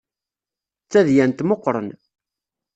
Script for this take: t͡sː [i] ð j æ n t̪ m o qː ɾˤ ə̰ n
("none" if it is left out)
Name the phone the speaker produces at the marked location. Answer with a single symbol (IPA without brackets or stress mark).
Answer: æ